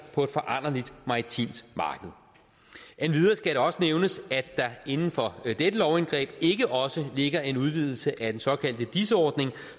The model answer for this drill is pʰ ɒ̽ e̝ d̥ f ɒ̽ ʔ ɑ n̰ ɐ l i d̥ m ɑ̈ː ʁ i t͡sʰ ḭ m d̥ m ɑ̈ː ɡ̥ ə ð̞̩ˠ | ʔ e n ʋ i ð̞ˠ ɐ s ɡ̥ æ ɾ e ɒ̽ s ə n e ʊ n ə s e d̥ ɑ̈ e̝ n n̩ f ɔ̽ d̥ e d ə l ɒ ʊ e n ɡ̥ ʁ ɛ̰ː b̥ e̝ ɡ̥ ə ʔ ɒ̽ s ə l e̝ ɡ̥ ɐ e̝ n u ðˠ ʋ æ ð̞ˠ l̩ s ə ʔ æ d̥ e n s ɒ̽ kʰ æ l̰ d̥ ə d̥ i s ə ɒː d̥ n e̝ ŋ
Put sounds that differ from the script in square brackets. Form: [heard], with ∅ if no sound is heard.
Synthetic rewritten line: pʰ ɒ̽ e̝ d̥ f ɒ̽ ʔ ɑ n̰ ɐ l i d̥ m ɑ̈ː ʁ i t͡sʰ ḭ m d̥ m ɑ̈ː ɡ̥ ə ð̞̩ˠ | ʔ e n ʋ i ð̞ˠ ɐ s ɡ̥ æ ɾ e ɒ̽ s ə n e ʊ n ə s [æ] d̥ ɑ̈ e̝ n n̩ f [ɒ̽] d̥ e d ə l ɒ ʊ e n ɡ̥ ʁ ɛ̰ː b̥ e̝ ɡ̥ ə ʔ ɒ̽ s ə l e̝ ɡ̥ ɐ e̝ n u ðˠ ʋ [i] ð̞ˠ l̩ s ə ʔ æ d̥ e n s ɒ̽ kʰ æ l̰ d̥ ə d̥ i s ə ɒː d̥ n e̝ ŋ